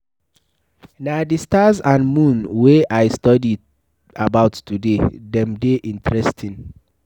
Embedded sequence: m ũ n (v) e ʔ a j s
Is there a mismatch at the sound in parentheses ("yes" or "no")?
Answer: yes